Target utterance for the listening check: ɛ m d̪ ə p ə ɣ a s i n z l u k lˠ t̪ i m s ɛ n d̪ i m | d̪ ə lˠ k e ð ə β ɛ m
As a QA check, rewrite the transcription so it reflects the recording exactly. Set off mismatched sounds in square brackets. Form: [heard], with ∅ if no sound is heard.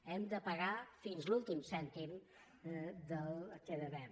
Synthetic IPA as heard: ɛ m d̪ ə p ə ɣ a [f] i n z l u [∅] lˠ t̪ i m s ɛ n [t̪] i m | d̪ ə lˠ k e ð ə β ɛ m